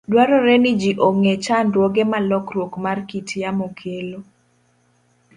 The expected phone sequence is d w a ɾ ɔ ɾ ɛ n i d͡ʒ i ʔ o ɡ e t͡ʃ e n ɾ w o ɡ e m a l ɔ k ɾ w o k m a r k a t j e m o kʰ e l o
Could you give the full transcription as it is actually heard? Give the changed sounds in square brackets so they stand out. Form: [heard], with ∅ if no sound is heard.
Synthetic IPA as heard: d w a ɾ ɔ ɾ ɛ n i d͡ʒ i ʔ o [ŋ] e t͡ʃ [a] n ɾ w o ɡ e m a l ɔ k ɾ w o k m a r k [i] t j [a] m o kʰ e l o